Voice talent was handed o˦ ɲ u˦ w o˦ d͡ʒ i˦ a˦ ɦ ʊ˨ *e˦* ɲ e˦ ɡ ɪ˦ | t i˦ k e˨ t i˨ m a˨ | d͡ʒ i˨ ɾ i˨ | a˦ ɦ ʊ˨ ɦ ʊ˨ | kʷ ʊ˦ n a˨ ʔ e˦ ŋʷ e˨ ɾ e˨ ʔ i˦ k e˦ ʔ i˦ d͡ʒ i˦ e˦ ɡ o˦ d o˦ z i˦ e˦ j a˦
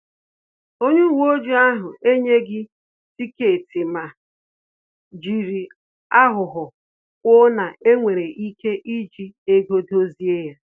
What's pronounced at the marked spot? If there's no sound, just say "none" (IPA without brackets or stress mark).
e˦